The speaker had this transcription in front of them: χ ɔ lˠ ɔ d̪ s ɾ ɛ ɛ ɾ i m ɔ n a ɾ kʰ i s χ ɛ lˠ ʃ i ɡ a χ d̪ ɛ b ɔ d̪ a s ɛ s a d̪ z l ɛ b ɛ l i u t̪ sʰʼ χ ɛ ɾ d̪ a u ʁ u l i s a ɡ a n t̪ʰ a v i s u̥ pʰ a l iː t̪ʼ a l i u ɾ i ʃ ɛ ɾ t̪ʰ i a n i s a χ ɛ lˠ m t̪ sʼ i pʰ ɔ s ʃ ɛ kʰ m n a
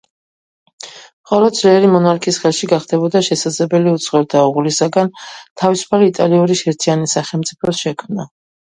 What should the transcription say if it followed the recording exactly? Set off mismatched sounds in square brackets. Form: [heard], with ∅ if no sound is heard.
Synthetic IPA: χ ɔ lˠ ɔ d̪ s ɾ ɛ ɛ ɾ i m ɔ n a ɾ kʰ i s χ ɛ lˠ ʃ i ɡ a χ d̪ ɛ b ɔ d̪ a [ʃ] ɛ s a d̪ z l ɛ b ɛ l i u t̪ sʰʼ χ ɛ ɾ d̪ a u ʁ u l i s a ɡ a n t̪ʰ a v i s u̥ pʰ a l iː t̪ʼ a l i u ɾ i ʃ ɛ ɾ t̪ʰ i a n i s a χ ɛ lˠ m t̪ sʼ i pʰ ɔ s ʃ ɛ kʰ m n a